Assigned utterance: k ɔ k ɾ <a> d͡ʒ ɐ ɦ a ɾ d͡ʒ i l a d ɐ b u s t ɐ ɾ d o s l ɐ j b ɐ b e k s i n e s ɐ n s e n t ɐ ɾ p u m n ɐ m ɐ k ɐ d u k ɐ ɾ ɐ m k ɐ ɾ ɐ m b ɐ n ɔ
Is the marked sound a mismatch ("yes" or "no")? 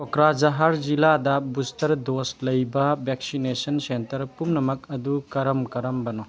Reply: no